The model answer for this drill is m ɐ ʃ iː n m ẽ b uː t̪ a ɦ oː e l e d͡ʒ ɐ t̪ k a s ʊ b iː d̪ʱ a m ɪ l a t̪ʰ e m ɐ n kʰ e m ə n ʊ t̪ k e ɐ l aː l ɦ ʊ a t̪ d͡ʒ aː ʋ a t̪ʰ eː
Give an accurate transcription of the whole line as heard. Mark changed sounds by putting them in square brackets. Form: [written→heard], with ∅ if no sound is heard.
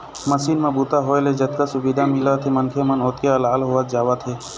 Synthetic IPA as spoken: m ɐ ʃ iː n m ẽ b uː t̪ a ɦ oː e l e d͡ʒ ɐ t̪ k a s ʊ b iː d̪ʱ a m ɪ l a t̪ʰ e m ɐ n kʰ e m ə n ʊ t̪ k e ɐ l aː l ɦ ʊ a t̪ d͡ʒ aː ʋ a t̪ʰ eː